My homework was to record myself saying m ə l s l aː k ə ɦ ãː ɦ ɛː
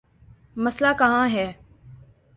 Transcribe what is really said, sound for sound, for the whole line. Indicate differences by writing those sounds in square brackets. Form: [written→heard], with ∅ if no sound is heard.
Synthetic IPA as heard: m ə [l→∅] s l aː k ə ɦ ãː ɦ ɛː